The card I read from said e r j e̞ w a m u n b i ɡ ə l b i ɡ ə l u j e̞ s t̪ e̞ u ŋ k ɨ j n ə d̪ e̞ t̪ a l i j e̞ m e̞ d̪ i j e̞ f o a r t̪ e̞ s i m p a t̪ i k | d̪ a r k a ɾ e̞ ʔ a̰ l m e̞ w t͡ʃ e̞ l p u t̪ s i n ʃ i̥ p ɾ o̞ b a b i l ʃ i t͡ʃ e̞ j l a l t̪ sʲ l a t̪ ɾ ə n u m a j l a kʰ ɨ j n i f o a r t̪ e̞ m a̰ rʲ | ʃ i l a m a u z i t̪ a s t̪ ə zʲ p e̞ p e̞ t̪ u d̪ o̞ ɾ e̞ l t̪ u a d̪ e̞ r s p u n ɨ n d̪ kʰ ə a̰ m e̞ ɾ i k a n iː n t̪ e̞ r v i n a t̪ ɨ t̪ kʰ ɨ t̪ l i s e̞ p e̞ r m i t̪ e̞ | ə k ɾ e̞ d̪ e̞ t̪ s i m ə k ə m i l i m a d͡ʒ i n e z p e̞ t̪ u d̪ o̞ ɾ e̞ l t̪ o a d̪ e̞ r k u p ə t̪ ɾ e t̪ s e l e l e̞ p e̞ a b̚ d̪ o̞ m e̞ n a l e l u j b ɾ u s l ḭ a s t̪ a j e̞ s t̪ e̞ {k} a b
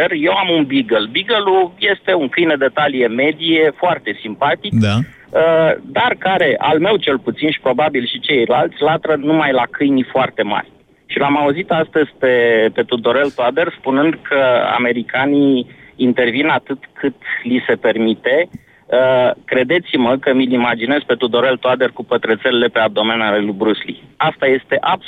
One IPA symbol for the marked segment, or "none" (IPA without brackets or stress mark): ʔ